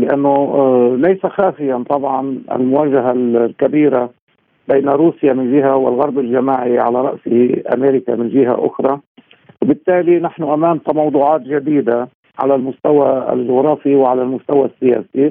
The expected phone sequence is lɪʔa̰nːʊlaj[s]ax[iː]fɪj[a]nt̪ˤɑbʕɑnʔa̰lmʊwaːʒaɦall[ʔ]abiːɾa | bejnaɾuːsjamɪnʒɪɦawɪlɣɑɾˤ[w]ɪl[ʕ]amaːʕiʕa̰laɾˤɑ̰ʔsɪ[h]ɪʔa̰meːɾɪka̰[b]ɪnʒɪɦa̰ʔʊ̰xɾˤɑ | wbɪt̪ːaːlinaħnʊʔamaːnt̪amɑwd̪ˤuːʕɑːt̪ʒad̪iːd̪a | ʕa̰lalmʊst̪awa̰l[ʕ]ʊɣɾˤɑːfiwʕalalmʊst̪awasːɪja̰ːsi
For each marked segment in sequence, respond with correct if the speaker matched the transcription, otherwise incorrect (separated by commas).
correct, incorrect, correct, incorrect, incorrect, incorrect, correct, incorrect, incorrect